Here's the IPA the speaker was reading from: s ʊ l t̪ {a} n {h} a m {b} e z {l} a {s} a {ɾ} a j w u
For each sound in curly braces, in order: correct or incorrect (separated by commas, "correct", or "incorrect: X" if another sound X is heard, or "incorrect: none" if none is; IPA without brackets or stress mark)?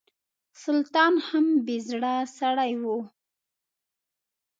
incorrect: ɑ, correct, correct, incorrect: ɽ, correct, incorrect: ɽ